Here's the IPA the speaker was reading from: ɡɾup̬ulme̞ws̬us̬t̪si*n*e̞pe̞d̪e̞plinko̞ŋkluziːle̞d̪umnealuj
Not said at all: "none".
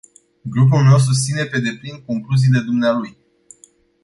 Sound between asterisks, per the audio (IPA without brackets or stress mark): n